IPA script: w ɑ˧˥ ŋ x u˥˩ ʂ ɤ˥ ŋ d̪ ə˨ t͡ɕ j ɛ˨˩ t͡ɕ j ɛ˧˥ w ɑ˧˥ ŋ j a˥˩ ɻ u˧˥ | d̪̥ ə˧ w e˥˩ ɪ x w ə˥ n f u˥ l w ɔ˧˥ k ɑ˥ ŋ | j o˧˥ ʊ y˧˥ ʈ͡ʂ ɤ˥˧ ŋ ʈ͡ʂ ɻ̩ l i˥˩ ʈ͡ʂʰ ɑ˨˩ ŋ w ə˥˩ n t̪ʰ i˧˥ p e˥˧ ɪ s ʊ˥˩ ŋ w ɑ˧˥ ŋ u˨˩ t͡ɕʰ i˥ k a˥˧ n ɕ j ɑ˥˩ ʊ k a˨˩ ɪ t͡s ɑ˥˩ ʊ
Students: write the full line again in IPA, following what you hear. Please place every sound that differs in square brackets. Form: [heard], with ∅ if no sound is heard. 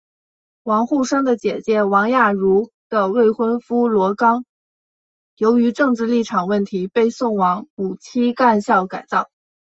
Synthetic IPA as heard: w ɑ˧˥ ŋ x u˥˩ ʂ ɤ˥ ŋ d̪ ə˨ t͡ɕ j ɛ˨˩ t͡ɕ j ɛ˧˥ w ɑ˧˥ ŋ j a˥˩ ɻ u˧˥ | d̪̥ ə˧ w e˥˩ ɪ x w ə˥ n f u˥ l w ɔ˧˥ k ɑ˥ ŋ | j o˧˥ ʊ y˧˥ ʈ͡ʂ ɤ˥˧ ŋ ʈ͡ʂ ɻ̩ l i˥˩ ʈ͡ʂʰ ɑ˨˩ ŋ w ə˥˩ n t̪ʰ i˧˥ p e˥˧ ɪ s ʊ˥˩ ŋ w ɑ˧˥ ŋ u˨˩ t͡ɕʰ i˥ k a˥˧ n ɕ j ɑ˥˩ ʊ k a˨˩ ɪ t͡s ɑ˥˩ ʊ

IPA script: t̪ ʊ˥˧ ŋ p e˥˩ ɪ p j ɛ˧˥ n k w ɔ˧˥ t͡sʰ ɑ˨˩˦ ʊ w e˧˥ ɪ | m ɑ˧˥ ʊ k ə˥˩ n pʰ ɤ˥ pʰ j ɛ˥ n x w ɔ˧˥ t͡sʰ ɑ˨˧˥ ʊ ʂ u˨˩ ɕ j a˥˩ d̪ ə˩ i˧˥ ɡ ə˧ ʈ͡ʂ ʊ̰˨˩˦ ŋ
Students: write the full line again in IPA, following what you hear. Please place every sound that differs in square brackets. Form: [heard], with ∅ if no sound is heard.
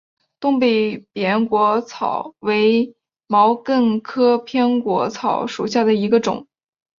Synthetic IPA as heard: t̪ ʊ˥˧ ŋ p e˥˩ ɪ p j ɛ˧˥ n k w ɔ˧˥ t͡sʰ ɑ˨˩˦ ʊ w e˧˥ ɪ | m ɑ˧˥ ʊ k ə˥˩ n [kʰ] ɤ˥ pʰ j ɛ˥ n [k] w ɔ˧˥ t͡sʰ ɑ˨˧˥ ʊ ʂ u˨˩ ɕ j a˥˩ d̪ ə˩ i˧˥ ɡ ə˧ ʈ͡ʂ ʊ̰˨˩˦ ŋ

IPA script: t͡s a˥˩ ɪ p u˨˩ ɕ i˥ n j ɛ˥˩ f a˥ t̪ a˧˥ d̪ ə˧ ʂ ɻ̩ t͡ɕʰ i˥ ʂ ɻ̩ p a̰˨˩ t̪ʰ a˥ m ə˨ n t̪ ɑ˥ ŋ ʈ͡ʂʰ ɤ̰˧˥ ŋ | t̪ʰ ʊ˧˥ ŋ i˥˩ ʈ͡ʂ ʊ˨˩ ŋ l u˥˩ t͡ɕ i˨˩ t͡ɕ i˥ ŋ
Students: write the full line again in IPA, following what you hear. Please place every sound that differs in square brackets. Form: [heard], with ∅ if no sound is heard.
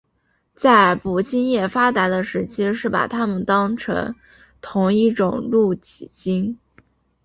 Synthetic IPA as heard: t͡s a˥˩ ɪ p u˨˩ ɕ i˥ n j ɛ˥˩ f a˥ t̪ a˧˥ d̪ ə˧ ʂ ɻ̩ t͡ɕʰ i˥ ʂ ɻ̩ p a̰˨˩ t̪ʰ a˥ m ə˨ n t̪ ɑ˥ ŋ ʈ͡ʂʰ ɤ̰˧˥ ŋ | t̪ʰ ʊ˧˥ ŋ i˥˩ ʈ͡ʂ ʊ˨˩ ŋ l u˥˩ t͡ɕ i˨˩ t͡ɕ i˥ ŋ

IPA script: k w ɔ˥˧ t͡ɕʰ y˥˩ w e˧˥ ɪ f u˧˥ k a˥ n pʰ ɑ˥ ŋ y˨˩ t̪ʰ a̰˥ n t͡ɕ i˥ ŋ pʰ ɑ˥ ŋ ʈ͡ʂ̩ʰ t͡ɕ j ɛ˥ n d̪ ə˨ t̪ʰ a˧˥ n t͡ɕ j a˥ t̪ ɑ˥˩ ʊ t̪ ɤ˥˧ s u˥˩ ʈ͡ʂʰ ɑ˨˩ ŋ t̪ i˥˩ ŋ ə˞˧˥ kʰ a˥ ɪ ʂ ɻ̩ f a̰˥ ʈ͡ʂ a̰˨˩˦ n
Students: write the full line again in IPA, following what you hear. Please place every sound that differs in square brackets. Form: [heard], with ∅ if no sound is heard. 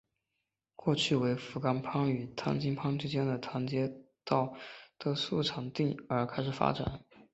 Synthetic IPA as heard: k w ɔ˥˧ t͡ɕʰ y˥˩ w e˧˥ ɪ f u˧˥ k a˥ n pʰ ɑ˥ ŋ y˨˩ t̪ʰ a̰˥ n t͡ɕ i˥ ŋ pʰ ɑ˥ ŋ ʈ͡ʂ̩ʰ t͡ɕ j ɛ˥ n d̪ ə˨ t̪ʰ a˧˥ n t͡ɕ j [ɛ˥] t̪ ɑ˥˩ ʊ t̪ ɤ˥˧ s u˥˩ ʈ͡ʂʰ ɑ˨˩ ŋ t̪ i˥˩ ŋ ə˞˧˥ kʰ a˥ ɪ ʂ ɻ̩ f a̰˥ ʈ͡ʂ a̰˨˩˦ n

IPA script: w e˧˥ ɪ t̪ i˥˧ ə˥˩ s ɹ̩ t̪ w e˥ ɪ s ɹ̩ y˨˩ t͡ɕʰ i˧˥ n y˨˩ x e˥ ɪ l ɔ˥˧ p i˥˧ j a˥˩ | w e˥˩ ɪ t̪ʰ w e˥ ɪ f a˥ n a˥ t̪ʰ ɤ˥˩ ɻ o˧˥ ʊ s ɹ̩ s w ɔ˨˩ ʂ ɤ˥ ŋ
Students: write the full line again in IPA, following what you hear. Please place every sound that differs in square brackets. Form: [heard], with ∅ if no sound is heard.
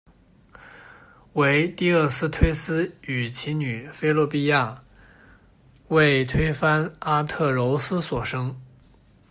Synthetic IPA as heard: w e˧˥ ɪ t̪ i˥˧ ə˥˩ s ɹ̩ [t̪ʰ] w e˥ ɪ s ɹ̩ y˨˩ t͡ɕʰ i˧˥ n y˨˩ [f] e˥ ɪ l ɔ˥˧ p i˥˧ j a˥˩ | w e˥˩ ɪ t̪ʰ w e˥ ɪ f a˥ n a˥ t̪ʰ ɤ˥˩ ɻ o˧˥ ʊ s ɹ̩ s w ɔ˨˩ ʂ ɤ˥ ŋ

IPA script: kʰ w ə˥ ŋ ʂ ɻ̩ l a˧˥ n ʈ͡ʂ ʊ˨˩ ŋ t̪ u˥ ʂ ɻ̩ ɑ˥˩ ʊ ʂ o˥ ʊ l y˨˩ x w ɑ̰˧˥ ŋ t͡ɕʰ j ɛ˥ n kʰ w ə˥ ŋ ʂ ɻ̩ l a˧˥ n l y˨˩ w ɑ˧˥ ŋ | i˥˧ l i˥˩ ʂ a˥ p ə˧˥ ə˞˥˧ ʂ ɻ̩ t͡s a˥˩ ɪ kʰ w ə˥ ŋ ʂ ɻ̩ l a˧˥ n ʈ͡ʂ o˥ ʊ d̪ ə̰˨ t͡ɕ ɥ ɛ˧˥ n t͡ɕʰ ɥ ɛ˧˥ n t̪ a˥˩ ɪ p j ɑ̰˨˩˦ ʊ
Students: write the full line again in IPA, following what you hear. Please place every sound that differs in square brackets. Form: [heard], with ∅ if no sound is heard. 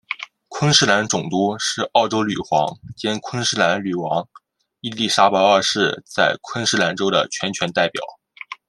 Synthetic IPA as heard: kʰ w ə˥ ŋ ʂ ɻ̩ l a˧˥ n ʈ͡ʂ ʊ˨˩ ŋ t̪ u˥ ʂ ɻ̩ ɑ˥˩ ʊ [ʈ͡ʂ] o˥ ʊ l y˨˩ x w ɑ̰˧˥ ŋ [t͡ɕ] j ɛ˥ n kʰ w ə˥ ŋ ʂ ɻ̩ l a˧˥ n l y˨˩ w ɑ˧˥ ŋ | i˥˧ l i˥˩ ʂ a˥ p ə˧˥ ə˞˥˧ ʂ ɻ̩ t͡s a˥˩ ɪ kʰ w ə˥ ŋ ʂ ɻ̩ l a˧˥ n ʈ͡ʂ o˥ ʊ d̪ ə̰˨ [t͡ɕʰ] ɥ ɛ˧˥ n t͡ɕʰ ɥ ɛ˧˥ n t̪ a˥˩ ɪ p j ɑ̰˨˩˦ ʊ

